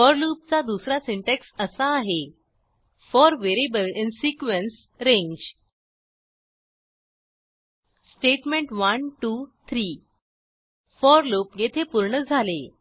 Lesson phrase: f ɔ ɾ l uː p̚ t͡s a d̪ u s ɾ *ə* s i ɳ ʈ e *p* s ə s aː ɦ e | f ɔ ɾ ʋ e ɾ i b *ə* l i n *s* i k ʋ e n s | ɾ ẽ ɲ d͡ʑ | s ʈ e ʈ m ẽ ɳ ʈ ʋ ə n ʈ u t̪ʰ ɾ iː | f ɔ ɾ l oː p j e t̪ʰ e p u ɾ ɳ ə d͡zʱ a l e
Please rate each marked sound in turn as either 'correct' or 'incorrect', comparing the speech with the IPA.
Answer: incorrect, incorrect, correct, correct

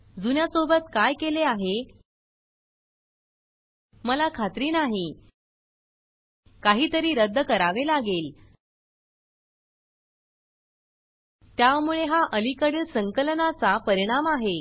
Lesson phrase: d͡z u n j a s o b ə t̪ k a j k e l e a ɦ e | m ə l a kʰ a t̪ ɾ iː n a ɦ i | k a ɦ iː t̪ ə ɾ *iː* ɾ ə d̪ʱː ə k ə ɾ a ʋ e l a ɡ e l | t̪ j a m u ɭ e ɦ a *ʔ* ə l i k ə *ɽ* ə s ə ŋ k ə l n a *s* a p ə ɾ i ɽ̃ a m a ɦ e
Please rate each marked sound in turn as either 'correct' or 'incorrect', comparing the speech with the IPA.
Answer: correct, correct, correct, incorrect

